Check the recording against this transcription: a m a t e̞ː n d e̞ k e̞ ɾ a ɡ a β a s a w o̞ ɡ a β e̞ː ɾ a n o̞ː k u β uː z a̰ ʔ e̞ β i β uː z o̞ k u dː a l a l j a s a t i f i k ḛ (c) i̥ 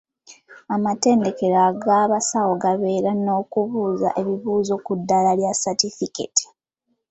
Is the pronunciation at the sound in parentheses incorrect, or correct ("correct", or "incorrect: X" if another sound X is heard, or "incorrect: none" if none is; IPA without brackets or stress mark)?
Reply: incorrect: t